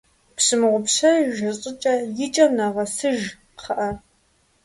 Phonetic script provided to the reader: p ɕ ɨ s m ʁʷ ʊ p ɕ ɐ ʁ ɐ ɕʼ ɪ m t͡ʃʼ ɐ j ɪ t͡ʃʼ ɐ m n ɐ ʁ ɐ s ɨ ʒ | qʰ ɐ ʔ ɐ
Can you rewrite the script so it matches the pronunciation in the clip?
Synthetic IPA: p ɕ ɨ m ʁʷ ʊ p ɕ ɐ ʒ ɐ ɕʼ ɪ t͡ʃʼ ɐ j ɪ t͡ʃʼ ɐ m n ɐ ʁ ɐ s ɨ ʒ | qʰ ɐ ʔ ɐ